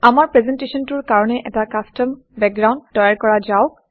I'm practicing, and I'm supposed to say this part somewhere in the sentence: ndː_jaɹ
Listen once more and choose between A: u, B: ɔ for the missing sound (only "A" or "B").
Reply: B